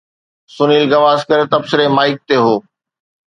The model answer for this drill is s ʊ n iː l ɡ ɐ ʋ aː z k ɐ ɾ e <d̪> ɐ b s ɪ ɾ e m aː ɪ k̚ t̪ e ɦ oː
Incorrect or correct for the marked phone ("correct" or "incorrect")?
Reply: incorrect